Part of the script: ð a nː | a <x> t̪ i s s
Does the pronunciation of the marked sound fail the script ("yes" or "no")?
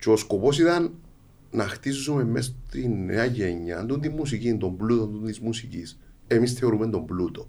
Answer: no